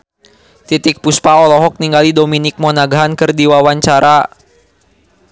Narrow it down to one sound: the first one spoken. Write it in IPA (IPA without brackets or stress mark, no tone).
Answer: t̪